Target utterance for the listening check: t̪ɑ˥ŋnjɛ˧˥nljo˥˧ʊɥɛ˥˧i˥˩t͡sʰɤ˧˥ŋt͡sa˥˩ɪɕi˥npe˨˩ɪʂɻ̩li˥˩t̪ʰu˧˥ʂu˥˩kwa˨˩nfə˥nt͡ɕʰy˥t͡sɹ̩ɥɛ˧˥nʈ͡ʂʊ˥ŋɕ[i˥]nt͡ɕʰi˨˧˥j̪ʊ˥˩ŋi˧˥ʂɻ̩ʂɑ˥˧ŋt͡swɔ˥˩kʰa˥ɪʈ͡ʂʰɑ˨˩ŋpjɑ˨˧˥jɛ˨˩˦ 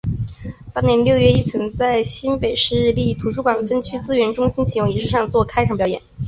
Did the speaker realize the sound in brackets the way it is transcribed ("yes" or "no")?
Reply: yes